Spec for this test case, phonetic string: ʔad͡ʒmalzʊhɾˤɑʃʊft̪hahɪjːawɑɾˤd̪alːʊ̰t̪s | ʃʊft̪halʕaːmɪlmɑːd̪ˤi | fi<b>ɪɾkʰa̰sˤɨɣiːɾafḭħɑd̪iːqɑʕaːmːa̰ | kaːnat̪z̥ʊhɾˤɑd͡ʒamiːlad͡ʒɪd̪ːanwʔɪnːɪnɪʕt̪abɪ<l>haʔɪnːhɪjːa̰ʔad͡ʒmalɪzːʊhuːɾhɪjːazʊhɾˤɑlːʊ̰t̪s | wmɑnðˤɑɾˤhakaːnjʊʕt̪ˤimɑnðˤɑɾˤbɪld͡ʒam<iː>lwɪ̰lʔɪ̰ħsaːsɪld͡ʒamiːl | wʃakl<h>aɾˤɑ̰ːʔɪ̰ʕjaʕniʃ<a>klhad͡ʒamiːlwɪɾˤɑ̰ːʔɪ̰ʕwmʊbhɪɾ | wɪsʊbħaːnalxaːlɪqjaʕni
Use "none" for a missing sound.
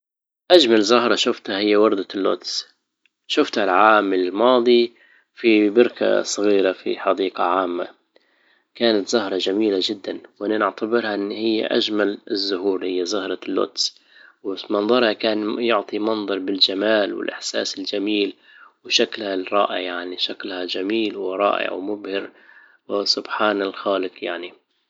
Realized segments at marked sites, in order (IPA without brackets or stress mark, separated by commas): b, ɾ, aː, h, a